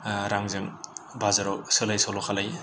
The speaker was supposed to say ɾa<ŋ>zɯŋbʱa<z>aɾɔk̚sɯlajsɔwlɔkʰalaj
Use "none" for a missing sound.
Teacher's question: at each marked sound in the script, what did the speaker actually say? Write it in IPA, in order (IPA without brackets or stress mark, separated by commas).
ŋ, z